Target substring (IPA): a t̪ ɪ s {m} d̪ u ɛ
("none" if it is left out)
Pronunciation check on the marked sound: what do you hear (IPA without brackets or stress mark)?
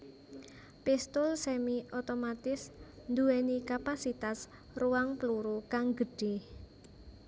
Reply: n